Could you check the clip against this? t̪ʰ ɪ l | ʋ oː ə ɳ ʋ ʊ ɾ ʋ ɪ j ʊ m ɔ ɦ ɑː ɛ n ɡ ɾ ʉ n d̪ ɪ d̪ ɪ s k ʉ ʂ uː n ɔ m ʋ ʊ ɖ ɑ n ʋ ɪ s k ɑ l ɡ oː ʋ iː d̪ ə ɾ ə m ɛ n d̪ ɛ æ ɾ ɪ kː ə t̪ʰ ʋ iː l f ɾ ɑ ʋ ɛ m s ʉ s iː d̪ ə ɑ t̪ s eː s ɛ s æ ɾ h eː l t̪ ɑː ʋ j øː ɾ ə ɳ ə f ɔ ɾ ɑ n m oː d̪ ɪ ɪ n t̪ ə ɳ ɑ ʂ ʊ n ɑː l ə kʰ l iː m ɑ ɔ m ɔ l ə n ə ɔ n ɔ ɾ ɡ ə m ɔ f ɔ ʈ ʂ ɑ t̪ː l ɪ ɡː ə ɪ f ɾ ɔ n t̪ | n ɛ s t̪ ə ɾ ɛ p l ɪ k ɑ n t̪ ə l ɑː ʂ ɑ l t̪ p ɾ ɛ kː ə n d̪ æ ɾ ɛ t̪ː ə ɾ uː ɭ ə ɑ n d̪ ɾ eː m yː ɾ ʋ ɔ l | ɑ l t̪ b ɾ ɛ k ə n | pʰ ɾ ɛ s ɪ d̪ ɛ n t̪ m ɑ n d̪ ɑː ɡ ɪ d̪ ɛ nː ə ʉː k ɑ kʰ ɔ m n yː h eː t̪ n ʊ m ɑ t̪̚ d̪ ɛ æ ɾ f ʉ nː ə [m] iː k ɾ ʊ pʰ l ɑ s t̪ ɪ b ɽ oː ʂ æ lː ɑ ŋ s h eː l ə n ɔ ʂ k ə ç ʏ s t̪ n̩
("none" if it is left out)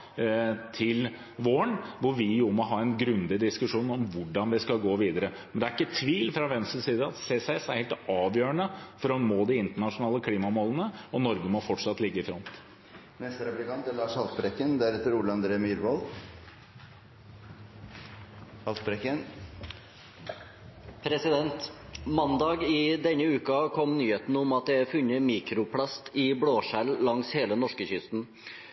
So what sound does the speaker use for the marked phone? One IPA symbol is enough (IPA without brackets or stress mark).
m